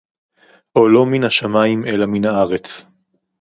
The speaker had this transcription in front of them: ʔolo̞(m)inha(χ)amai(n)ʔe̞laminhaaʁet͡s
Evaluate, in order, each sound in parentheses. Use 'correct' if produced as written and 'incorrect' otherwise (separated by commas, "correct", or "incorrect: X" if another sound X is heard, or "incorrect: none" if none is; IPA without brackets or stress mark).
correct, incorrect: ʃ, incorrect: m